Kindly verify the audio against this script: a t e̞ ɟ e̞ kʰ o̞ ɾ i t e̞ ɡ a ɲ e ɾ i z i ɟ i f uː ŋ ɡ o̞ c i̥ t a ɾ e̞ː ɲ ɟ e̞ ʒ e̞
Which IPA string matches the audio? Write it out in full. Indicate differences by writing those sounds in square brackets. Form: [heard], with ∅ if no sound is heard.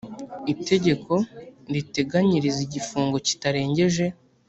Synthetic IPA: [i] t e̞ ɟ e̞ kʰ o̞ ɾ i t e̞ ɡ a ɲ [i] ɾ i z i ɟ i f uː ŋ ɡ o̞ c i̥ t a ɾ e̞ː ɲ ɟ e̞ ʒ e̞